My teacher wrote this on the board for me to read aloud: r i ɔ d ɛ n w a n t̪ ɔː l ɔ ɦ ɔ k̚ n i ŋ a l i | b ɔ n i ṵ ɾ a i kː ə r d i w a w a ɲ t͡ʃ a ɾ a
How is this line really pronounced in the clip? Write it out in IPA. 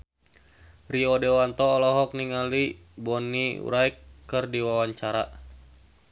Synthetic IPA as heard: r i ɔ d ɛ w a n t̪ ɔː l ɔ ɦ ɔ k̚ n i ŋ a l i | b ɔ n i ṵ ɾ a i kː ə r d i w a w a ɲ t͡ʃ a ɾ a